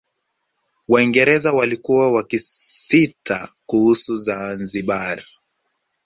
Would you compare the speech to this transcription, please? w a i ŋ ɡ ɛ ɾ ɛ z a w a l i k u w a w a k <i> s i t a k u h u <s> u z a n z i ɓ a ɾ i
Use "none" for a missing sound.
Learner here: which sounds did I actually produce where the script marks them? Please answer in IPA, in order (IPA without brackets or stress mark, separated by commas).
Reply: i, s